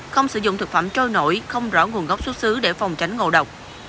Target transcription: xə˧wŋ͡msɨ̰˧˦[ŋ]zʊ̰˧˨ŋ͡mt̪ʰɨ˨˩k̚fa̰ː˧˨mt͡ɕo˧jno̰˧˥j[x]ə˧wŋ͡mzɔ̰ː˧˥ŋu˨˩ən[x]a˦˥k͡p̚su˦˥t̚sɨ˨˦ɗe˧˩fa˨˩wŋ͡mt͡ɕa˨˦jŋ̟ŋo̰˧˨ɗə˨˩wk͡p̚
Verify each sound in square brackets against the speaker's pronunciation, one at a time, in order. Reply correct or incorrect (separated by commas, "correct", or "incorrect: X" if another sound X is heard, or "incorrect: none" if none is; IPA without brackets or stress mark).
incorrect: none, correct, incorrect: ɣ